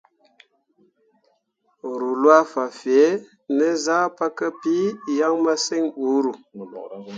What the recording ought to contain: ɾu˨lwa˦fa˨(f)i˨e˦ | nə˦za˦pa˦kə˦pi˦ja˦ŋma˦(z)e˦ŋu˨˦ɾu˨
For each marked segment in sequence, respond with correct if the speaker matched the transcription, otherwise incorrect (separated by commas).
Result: correct, incorrect